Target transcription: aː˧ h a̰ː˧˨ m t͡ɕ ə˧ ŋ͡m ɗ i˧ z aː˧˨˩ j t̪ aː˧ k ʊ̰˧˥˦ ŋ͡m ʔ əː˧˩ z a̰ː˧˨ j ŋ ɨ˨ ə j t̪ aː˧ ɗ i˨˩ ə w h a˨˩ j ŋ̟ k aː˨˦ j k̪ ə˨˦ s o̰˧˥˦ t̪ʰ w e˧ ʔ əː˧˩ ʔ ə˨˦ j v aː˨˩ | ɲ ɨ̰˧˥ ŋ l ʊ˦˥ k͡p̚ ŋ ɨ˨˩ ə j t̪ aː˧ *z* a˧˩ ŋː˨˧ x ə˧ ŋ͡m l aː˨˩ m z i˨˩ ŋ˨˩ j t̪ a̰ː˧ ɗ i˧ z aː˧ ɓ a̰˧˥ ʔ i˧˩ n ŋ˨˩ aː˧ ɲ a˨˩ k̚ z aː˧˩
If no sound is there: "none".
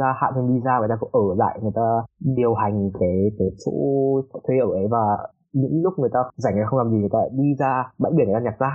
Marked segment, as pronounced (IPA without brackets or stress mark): z